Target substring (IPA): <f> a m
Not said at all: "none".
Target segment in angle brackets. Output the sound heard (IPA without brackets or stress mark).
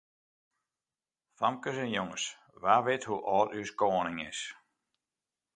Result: f